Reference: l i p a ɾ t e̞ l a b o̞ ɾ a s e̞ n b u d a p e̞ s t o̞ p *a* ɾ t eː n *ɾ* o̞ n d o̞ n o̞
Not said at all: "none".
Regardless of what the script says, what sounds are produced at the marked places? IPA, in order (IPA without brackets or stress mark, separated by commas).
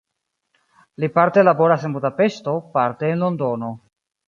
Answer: a, l